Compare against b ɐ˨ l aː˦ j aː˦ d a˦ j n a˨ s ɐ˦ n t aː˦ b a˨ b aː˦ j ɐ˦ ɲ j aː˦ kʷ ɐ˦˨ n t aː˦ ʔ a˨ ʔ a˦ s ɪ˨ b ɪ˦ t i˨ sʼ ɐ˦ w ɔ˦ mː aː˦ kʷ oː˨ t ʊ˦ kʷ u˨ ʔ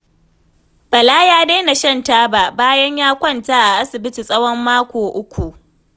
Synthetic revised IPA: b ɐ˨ l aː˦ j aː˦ d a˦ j n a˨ ʃ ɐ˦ n t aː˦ b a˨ b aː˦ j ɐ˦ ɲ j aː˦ kʷ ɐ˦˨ n t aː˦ ʔ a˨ ʔ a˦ s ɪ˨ b ɪ˦ t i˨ sʼ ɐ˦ w ɔ˦ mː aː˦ kʷ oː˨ ʔ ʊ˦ kʷ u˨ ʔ